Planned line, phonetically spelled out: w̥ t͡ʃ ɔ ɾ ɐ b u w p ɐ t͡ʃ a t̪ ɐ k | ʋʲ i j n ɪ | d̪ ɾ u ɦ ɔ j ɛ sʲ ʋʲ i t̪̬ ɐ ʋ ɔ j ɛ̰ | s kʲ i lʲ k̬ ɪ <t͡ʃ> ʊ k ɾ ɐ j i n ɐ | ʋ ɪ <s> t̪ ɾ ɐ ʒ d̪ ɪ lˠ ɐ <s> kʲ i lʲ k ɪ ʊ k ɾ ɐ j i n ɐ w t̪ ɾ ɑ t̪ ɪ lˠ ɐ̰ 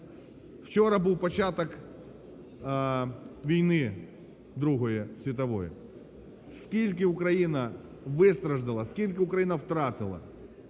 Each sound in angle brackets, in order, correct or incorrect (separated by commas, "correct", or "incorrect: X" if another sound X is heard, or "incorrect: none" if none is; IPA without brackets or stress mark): incorrect: none, correct, correct